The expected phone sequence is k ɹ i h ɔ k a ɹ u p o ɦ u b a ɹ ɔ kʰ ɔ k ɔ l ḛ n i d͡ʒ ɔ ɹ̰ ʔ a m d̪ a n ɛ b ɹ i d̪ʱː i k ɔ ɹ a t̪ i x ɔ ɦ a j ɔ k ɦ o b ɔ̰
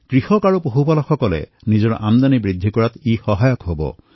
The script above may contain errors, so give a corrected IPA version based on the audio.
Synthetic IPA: k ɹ i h ɔ k a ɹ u p o ɦ u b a l ɔ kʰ ɔ k ɔ l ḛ n i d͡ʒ ɔ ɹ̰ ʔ a m d̪ a n i b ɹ i d̪ʱː i k ɔ ɹ a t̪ i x ɔ ɦ a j ɔ k ɦ o b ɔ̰